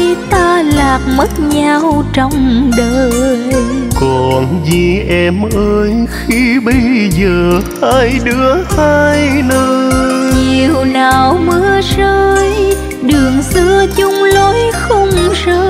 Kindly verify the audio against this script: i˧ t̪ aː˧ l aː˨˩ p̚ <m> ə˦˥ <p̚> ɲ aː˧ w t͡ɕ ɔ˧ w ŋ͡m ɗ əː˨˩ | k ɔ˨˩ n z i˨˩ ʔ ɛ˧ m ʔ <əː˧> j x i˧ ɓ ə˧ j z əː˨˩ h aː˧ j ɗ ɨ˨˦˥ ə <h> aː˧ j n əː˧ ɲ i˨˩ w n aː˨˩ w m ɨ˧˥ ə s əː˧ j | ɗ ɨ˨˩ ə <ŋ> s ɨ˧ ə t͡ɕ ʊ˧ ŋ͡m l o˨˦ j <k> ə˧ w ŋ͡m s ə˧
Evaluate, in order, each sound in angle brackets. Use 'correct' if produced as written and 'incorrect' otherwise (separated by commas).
correct, incorrect, correct, correct, correct, incorrect